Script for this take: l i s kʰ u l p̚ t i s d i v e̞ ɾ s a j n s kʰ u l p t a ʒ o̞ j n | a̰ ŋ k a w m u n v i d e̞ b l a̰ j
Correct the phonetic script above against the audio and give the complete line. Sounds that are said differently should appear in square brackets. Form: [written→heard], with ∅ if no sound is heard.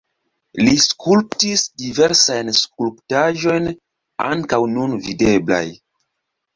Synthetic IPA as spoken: l i s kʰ u l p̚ t i s d i v e̞ ɾ s a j n s [kʰ→k] u l p t a ʒ o̞ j n | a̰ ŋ k a w [m→n] u n v i d e̞ b l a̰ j